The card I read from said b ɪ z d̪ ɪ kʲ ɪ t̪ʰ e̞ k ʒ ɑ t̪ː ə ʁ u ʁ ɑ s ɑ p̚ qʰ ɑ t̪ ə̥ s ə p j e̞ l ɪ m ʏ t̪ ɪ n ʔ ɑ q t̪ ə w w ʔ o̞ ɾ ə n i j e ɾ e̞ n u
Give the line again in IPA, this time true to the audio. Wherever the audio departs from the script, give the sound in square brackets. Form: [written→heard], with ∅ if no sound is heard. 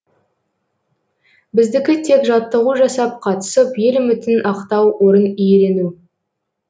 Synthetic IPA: b ɪ z d̪ ɪ kʲ ɪ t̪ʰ e̞ k ʒ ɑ t̪ː ə ʁ u [ʁ→ʒ] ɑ s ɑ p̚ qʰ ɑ t̪ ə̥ s ə p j e̞ l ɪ m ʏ t̪ ɪ n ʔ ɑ q t̪ [ə→ɑ] w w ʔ o̞ ɾ ə n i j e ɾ e̞ n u